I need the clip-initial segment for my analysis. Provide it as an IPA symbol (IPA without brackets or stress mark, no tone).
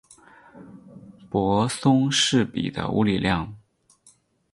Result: p